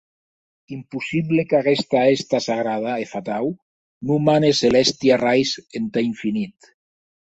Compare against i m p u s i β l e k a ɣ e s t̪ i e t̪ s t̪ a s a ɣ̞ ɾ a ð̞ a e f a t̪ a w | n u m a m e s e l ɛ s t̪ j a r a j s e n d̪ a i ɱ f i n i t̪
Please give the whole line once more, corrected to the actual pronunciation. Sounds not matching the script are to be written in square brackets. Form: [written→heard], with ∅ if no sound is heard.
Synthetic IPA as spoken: i m p u s i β l e k a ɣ e s t̪ [i→a] e [t̪→∅] s t̪ a s a ɣ̞ ɾ a ð̞ a e f a t̪ a w | n u m a [m→n] e s e l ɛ s t̪ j a r a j s e n [d̪→t̪] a i ɱ f i n i t̪